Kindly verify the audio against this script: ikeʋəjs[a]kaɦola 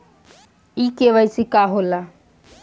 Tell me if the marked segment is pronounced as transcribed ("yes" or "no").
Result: no